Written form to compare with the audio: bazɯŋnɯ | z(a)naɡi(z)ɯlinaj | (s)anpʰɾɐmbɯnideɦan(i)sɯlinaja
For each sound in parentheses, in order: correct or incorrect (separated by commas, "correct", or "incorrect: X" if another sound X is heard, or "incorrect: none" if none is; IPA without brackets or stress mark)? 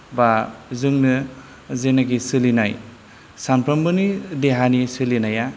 incorrect: e, incorrect: s, correct, correct